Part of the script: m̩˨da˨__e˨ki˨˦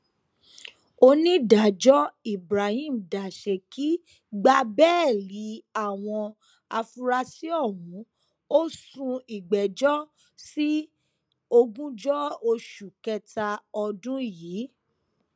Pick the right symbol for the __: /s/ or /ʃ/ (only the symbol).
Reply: ʃ